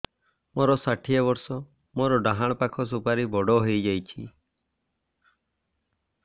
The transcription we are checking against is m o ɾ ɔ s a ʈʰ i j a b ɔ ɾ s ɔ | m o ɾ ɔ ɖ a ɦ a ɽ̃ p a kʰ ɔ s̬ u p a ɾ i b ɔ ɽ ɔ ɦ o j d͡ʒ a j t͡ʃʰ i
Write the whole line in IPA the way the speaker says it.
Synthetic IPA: m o ɾ ɔ s a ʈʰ i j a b ɔ ɾ s ɔ | m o ɾ ɔ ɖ a ɦ a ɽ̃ p a kʰ ɔ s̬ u p a ɾ i b ɔ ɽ ɔ ɦ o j d͡ʒ a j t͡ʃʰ i